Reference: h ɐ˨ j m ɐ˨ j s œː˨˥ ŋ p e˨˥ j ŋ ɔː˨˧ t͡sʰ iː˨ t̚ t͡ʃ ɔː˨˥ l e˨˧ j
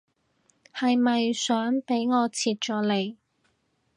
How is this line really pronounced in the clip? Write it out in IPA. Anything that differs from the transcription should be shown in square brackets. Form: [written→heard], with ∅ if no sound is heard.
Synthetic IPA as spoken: h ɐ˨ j m ɐ˨ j s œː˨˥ ŋ p e˨˥ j ŋ ɔː˨˧ t͡sʰ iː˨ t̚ t͡ʃ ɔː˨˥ l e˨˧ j